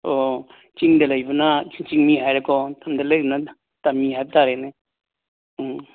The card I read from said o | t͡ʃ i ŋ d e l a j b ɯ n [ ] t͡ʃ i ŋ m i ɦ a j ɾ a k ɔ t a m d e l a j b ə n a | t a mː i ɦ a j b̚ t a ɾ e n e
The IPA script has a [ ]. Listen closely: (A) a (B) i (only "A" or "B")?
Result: A